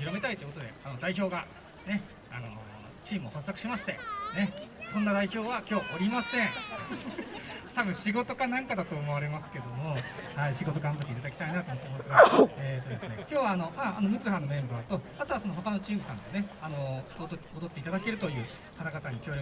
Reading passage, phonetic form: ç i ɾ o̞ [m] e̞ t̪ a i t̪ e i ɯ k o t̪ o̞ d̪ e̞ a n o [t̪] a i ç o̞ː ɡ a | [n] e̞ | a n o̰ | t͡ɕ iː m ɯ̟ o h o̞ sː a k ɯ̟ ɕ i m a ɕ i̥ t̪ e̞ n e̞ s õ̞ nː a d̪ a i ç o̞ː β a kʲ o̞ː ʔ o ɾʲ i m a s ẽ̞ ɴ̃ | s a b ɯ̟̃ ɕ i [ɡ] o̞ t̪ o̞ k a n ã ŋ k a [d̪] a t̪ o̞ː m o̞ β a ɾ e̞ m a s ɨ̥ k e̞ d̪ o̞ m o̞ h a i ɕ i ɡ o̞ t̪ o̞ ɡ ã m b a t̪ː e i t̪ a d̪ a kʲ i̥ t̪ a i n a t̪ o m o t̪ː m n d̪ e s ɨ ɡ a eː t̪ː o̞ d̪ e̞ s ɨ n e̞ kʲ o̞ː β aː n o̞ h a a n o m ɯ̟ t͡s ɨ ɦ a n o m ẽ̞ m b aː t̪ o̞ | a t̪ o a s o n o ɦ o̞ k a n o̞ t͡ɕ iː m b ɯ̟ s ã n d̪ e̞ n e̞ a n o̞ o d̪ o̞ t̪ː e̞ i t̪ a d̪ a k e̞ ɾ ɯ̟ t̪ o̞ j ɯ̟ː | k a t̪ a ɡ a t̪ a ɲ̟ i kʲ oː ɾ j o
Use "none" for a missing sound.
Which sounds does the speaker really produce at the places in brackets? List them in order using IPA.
m, d̪, n, ɡ, d̪

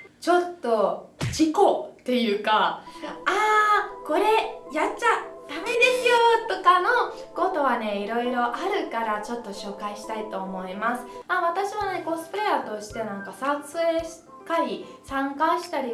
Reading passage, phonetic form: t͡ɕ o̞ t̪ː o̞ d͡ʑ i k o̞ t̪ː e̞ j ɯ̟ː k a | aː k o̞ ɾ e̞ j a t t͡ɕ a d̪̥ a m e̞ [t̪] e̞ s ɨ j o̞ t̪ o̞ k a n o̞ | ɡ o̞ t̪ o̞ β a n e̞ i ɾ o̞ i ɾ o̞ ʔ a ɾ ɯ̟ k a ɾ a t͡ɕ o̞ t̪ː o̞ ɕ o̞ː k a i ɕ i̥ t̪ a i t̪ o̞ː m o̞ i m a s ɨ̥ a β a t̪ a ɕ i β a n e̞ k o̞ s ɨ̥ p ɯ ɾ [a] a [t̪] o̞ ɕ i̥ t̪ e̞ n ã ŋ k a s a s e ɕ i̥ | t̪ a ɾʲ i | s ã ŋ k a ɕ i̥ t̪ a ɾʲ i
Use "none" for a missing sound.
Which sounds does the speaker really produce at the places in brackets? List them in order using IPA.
d̪, e, t̪

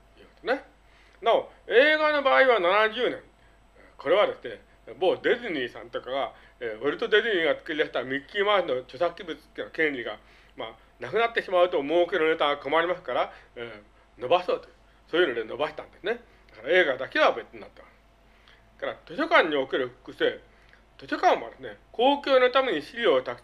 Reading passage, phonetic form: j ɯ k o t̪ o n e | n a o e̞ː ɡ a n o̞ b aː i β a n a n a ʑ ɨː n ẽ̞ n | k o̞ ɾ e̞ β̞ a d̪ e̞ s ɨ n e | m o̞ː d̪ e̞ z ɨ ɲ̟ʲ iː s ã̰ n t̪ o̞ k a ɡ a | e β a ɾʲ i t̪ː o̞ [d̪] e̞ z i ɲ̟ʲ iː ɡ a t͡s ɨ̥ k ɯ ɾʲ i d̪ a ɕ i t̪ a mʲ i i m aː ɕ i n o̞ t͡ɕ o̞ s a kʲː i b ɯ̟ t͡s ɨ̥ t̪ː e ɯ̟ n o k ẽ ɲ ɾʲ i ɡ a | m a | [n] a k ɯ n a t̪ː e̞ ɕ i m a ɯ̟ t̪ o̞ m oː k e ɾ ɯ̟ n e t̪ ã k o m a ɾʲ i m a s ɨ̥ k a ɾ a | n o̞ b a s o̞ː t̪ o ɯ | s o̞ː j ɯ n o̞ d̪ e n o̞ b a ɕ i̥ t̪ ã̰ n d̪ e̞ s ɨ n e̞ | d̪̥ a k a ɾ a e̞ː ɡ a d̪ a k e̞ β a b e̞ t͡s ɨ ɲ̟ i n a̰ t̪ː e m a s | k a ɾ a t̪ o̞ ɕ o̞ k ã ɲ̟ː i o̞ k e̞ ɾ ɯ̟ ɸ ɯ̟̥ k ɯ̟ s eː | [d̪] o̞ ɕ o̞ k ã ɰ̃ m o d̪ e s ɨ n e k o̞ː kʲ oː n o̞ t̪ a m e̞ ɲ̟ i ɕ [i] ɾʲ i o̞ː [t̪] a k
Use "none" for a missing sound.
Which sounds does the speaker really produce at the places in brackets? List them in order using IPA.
d̪, n, t̪, i, t̪

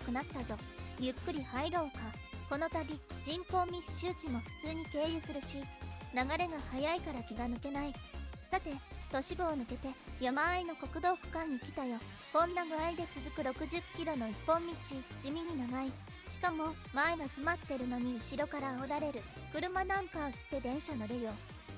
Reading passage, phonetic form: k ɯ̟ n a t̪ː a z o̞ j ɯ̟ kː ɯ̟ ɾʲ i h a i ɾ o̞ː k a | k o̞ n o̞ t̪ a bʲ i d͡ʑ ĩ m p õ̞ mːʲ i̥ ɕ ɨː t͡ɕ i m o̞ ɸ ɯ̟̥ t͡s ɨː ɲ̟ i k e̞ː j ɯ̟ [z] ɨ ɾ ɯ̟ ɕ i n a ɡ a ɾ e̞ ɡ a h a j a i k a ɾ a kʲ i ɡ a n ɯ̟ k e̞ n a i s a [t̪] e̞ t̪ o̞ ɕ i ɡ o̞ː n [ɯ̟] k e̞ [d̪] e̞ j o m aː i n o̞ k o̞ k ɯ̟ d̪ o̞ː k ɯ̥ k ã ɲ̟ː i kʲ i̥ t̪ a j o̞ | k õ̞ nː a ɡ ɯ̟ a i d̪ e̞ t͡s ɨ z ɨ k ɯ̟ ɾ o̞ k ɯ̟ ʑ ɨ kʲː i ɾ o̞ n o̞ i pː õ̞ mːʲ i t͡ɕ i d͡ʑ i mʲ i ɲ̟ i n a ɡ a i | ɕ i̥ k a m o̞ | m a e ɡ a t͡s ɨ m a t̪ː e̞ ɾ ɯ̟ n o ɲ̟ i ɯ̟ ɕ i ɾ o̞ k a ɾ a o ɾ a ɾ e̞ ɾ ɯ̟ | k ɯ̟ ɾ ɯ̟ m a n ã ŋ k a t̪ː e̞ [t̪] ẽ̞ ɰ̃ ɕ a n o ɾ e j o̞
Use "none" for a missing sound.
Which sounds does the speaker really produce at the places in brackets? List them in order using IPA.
s, t̪, ɯ̟, t̪, d̪

